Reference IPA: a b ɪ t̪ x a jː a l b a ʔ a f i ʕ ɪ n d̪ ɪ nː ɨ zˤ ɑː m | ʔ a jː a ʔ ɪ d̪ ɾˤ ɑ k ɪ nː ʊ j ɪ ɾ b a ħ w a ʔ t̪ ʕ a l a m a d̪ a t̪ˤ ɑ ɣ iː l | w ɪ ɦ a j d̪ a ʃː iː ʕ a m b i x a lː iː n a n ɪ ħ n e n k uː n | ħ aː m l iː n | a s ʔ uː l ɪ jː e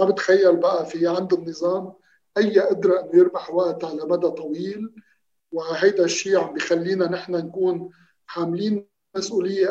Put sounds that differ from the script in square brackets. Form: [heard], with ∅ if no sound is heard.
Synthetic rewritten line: a b ɪ t̪ x a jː a l b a ʔ a f i ʕ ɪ n d̪ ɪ nː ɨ zˤ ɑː m | ʔ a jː a ʔ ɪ d̪ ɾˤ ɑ [ʔ] ɪ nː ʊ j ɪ ɾ b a ħ w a ʔ t̪ ʕ a l a m a d̪ a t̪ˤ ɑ [w] iː l | w ɪ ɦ a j d̪ a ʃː iː ʕ a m b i x a lː iː n a n ɪ ħ n [a] n k uː n | ħ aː m l iː n | a s ʔ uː l ɪ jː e